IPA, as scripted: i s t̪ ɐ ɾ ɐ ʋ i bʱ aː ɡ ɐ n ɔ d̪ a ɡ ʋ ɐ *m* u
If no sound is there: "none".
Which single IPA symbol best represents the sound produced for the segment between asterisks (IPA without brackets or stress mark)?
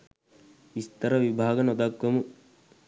m